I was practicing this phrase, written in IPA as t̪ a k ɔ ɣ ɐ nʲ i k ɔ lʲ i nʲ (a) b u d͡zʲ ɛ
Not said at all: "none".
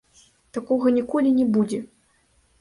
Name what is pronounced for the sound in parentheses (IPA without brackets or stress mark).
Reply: ɛ